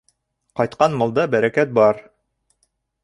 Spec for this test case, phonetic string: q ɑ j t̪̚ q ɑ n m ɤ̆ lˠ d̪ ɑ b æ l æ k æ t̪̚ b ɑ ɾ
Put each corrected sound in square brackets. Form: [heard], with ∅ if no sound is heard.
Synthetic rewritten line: q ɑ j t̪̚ q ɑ n m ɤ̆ lˠ d̪ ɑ b æ [ɾ] æ k æ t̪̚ b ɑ ɾ